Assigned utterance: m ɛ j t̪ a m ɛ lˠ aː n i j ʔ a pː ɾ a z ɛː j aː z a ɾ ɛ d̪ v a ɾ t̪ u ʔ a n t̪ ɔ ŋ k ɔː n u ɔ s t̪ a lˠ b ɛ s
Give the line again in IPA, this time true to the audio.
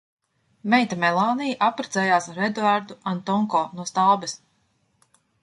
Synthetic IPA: m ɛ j t̪ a m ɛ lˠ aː n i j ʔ a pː ɾ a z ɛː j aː s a ɾ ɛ d̪ v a ɾ d̪ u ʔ a n t̪ ɔ ŋ k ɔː n u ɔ s t̪ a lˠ b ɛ s

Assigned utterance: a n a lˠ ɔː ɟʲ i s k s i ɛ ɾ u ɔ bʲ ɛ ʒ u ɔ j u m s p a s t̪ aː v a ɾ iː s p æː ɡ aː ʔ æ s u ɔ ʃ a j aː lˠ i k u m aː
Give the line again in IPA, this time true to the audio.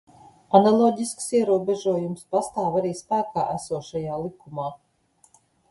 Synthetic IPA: a n a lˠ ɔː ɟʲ i s k s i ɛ ɾ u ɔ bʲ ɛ ʒ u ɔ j u m s p a s t̪ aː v a ɾ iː s p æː k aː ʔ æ s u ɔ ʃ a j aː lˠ i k u m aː

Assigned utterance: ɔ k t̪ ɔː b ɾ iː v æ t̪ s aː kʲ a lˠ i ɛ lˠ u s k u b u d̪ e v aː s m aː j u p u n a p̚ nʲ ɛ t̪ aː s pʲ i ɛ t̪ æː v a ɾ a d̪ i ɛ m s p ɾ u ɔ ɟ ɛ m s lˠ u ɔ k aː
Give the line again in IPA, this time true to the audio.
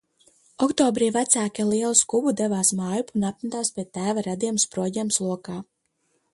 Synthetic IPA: ɔ k t̪ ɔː b ɾ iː v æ t̪ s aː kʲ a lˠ i ɛ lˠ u s k u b u d̪ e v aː s m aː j u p u n a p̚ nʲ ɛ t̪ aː s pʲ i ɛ t̪ æː v a ɾ a d̪ i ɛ m s p ɾ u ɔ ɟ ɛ m s lˠ u ɔ k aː

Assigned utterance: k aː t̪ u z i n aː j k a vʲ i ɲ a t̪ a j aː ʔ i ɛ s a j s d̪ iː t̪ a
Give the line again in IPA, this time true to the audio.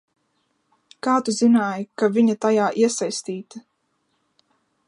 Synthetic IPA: k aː t̪ u z i n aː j k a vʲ i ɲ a t̪ a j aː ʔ i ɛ s a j s t̪ iː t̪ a

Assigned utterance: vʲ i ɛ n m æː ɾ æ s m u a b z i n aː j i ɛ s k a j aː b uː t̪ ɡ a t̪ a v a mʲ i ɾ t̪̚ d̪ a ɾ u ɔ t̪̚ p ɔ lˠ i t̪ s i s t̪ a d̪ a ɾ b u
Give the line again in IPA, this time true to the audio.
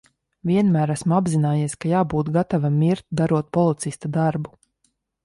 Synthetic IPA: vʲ i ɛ n m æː ɾ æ s m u a b z i n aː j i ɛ s k a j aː b uː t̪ ɡ a t̪ a v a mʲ i ɾ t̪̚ d̪ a ɾ u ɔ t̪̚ p ɔ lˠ i t̪ s i s t̪ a d̪ a ɾ b u

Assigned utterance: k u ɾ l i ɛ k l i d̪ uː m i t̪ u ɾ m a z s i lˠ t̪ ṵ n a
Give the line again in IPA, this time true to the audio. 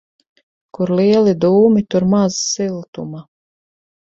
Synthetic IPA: k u ɾ l i ɛ l i d̪ uː m i t̪ u ɾ m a z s i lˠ t̪ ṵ m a

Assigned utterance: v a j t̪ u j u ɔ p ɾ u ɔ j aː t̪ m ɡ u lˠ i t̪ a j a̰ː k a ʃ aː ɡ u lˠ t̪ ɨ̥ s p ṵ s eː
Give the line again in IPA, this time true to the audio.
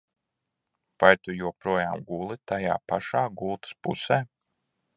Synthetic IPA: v a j t̪ u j u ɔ p ɾ u ɔ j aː m ɡ u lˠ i t̪ a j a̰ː p a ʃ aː ɡ u lˠ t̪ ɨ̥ s p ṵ s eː

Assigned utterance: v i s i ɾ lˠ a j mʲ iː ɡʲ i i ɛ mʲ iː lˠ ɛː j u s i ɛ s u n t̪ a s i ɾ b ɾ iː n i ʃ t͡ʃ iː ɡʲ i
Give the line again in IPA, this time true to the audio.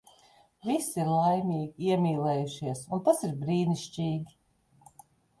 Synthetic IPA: v i s i ɾ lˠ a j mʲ iː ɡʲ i i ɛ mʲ iː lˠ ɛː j u ʃ i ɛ s u n t̪ a s i ɾ b ɾ iː n i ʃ t͡ʃ iː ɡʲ i

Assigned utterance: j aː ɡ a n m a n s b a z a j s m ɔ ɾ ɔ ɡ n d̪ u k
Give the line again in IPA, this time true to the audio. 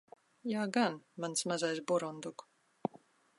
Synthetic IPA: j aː ɡ a n m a n s m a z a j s b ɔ ɾ ɔ n d̪ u k

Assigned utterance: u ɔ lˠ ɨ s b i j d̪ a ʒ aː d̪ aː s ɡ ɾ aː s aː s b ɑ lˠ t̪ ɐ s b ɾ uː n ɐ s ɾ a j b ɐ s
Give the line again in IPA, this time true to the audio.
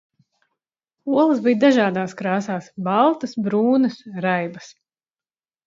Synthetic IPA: u ɔ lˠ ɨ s b i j d̪ a ʒ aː d̪ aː s k ɾ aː s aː s b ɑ lˠ t̪ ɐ s b ɾ uː n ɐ s ɾ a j b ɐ s

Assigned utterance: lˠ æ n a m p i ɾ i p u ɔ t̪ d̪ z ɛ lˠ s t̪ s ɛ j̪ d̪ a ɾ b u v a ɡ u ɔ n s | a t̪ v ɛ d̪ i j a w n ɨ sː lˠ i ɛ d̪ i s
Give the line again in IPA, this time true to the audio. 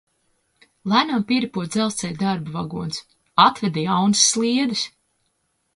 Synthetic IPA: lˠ æ n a m p i ɾ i p u ɔ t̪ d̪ z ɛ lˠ s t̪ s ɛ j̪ d̪ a ɾ b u v a ɡ u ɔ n s | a t̪ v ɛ d̪ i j a w n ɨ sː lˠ i ɛ d̪ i s

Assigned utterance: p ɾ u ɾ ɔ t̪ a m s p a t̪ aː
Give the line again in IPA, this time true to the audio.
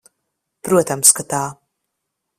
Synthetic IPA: p ɾ u ɔ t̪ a m s k a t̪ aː

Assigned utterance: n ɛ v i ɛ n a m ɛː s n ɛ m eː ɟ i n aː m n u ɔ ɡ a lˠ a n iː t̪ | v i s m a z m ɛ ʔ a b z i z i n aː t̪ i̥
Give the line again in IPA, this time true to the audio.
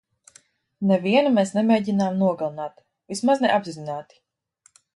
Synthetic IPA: n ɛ v i ɛ n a m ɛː s n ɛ m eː ɟ i n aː m n u ɔ ɡ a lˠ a n aː t̪ | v i s m a z n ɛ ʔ a b z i z i n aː t̪ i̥

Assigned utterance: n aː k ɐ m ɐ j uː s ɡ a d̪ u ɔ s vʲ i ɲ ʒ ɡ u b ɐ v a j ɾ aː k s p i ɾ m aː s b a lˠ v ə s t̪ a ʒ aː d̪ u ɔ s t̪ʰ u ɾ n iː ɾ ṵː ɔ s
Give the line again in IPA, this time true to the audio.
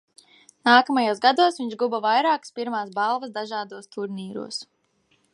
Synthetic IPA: n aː k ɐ m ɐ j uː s ɡ a d̪ u ɔ s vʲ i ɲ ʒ ɡ u b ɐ v a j ɾ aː k s p i ɾ m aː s b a lˠ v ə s d̪ a ʒ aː d̪ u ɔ s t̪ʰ u ɾ n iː ɾ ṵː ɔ s

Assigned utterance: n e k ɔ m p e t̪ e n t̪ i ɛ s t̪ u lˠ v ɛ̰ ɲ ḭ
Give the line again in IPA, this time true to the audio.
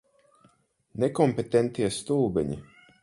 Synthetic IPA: n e k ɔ m p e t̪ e n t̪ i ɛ s t̪ u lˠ b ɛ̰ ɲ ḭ

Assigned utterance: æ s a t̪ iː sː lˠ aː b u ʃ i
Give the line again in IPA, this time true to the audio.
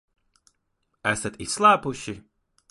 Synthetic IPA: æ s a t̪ i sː lˠ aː p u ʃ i

